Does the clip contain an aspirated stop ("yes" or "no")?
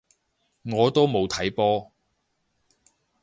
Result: yes